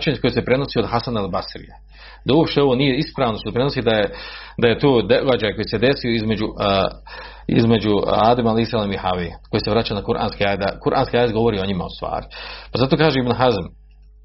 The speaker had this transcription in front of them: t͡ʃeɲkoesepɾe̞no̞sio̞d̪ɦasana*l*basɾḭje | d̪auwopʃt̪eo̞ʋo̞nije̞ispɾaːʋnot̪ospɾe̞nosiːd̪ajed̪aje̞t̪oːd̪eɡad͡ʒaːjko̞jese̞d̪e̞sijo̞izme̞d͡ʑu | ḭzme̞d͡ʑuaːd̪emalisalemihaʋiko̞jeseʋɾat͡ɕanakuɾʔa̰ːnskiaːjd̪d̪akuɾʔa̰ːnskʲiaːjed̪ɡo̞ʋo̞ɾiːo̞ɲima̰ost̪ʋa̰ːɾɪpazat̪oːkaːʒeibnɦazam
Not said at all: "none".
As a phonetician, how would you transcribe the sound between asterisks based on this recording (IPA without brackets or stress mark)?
l